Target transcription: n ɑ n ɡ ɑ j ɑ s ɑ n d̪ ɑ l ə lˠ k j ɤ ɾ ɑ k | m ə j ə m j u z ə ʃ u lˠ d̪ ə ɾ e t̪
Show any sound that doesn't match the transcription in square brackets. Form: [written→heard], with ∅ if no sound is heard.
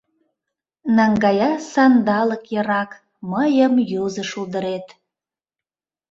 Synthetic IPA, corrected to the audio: n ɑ [n→ŋ] ɡ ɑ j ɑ s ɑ n d̪ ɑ l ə [lˠ→∅] k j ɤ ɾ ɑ k | m ə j ə m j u z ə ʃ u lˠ d̪ ə ɾ e t̪